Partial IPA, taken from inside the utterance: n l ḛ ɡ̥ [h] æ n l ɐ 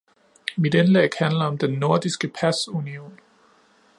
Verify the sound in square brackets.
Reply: correct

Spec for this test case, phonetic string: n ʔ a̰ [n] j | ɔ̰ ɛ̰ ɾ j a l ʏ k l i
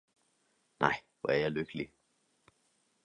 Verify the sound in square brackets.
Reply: incorrect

